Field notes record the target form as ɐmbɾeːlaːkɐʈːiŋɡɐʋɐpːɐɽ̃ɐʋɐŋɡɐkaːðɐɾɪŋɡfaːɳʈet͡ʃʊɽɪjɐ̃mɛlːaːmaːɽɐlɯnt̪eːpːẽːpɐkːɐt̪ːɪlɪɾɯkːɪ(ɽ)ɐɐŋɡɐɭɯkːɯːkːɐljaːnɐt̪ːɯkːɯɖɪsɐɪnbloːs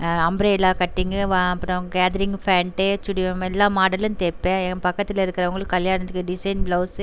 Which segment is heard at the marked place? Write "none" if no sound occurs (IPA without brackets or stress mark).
ɾ